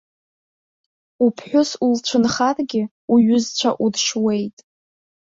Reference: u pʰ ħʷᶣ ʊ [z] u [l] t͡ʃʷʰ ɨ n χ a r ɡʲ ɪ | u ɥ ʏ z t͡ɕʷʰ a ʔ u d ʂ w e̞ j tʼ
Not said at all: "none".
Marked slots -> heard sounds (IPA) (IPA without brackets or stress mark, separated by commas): s, l